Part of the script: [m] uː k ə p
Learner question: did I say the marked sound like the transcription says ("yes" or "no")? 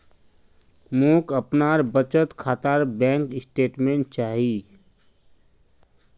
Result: yes